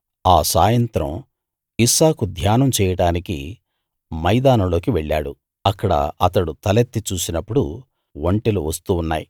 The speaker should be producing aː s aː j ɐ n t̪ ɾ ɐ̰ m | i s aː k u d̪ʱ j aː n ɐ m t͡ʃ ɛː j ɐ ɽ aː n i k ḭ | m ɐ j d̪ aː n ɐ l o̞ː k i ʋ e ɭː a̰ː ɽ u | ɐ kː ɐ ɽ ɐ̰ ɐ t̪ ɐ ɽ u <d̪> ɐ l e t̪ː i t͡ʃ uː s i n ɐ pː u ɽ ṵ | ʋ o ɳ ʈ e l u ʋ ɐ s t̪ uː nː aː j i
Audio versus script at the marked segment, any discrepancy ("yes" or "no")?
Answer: yes